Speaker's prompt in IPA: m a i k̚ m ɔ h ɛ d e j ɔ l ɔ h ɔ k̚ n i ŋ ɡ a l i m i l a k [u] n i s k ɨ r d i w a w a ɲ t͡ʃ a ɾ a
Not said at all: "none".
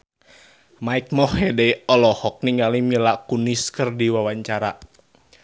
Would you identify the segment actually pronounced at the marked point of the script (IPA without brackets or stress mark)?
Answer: u